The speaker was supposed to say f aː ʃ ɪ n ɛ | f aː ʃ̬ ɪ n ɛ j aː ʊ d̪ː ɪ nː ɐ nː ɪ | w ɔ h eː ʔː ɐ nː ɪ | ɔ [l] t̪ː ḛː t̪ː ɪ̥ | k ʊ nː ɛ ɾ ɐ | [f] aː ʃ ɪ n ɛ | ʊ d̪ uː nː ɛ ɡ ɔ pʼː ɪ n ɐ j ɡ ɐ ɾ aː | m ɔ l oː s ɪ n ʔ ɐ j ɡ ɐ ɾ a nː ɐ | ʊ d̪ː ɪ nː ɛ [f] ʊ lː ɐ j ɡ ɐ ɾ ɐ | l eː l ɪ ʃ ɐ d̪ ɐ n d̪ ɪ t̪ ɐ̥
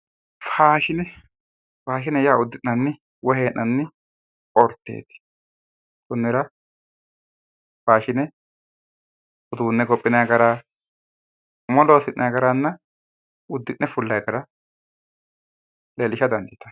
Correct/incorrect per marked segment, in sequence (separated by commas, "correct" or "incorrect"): incorrect, correct, correct